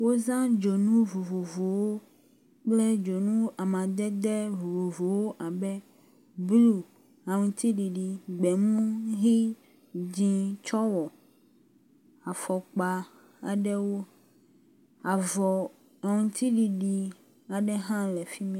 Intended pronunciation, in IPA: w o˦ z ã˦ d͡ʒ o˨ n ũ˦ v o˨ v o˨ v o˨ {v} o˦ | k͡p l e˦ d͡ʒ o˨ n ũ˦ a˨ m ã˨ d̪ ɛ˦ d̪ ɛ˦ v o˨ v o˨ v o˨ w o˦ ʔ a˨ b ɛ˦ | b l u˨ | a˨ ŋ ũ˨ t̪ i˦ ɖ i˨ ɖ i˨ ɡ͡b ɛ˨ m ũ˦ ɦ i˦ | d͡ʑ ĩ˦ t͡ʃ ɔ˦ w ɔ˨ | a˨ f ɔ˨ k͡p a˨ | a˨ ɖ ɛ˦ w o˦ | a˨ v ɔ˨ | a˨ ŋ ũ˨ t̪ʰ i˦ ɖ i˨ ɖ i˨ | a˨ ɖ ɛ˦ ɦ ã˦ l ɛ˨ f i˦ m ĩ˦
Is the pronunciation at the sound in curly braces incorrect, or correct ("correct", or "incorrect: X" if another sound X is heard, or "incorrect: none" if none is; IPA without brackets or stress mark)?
incorrect: w